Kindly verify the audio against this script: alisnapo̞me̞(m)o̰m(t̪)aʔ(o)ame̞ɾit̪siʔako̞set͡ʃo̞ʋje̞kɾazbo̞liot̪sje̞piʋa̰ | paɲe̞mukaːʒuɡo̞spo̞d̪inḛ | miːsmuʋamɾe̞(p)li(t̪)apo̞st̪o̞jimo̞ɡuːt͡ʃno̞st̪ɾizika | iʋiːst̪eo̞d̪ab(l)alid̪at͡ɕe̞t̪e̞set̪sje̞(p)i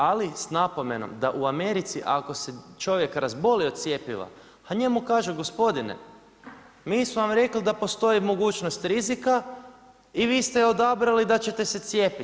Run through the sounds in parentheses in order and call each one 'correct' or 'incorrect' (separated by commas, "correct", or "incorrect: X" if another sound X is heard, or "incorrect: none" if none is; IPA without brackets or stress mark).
incorrect: n, incorrect: d̪, incorrect: u, incorrect: k, incorrect: d̪, incorrect: ɾ, correct